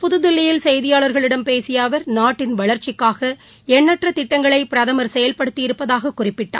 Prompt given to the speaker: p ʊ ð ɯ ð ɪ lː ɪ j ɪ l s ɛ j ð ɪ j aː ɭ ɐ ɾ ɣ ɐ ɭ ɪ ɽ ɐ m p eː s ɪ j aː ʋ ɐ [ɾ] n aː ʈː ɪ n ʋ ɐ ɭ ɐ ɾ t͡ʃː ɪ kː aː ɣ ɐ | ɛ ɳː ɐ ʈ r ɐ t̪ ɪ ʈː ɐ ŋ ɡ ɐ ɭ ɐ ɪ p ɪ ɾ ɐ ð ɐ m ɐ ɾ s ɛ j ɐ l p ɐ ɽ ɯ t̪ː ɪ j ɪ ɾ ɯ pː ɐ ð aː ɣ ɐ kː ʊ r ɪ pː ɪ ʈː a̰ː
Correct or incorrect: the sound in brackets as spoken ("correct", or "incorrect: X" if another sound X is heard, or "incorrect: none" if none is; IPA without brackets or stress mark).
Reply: correct